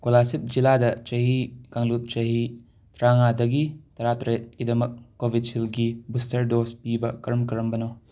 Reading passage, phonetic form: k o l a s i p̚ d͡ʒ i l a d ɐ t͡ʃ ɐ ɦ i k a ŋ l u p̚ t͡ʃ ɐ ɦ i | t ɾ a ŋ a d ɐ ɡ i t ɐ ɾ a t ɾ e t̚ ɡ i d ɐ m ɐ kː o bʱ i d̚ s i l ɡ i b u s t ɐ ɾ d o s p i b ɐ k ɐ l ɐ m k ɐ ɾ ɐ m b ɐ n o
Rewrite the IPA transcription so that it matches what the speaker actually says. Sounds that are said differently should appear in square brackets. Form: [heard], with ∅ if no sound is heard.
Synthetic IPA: k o l a s i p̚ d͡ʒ i l a d ɐ t͡ʃ ɐ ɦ i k a ŋ l u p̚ t͡ʃ ɐ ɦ i | t ɾ a ŋ a d ɐ ɡ i t ɐ ɾ a t ɾ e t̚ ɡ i d ɐ m ɐ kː o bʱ i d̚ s i l ɡ i b u s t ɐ ɾ d o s p i b ɐ k ɐ [ɾ] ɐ m k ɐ ɾ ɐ m b ɐ n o